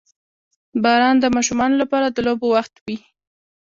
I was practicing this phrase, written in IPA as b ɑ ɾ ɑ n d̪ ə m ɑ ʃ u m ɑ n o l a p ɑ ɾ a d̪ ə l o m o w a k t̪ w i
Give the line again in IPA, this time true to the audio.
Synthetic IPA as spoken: b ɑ ɾ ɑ n d̪ ə m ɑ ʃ u m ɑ n o l a p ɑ ɾ a d̪ ə l o b o w a x t̪ w i